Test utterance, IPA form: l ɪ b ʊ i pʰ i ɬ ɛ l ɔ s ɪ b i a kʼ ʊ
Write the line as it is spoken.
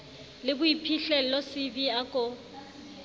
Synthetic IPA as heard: l ɪ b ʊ i pʰ i ɬ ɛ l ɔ s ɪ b i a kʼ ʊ